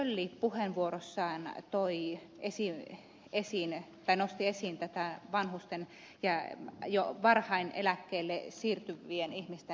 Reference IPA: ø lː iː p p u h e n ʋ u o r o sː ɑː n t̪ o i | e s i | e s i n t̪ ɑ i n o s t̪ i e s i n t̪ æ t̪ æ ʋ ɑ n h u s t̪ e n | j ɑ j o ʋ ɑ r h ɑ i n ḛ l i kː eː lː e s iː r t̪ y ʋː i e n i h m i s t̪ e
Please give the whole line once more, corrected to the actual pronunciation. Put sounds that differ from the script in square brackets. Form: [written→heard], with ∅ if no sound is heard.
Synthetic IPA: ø lː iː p p u h e n ʋ u o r o sː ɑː n t̪ o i | e s i | e s i n t̪ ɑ i n o s t̪ i e s i n t̪ æ t̪ æ ʋ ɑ n h u s t̪ e n | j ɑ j o ʋ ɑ r h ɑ i n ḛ l [i→æ] kː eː lː e s iː r t̪ y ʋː i e n i h m i s t̪ e